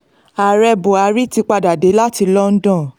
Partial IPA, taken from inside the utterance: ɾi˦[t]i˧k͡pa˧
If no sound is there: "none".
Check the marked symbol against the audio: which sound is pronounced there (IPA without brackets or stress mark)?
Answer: t